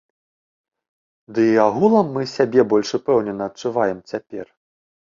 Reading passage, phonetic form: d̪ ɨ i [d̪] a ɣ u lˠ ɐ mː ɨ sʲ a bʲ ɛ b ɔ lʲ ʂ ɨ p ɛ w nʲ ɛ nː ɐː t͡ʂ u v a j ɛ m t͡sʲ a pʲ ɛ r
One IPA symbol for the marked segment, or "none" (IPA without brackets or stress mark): none